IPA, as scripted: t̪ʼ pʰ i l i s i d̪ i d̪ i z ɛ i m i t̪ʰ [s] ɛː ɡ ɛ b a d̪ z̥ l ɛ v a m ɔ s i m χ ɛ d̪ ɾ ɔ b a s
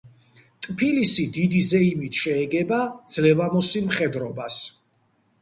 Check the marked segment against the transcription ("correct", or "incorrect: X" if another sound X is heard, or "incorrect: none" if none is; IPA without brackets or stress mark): incorrect: ʃ